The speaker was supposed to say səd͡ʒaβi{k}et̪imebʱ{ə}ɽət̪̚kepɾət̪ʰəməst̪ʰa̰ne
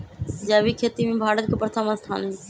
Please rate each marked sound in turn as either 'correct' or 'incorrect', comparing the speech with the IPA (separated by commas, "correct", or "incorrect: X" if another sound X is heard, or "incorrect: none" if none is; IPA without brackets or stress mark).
incorrect: kʰ, incorrect: a